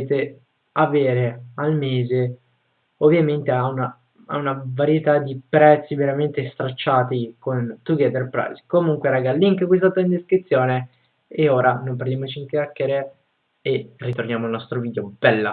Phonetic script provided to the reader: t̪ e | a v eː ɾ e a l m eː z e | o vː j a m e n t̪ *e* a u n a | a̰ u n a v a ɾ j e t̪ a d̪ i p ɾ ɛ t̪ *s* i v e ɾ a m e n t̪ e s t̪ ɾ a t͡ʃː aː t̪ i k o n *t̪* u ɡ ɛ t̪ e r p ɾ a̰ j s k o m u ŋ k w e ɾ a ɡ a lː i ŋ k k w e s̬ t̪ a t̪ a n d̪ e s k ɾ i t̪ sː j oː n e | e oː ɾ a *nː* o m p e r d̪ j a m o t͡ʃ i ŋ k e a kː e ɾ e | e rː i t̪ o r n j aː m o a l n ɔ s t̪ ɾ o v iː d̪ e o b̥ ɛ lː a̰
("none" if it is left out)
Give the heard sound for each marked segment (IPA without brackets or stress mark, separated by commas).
e, sː, t̪, n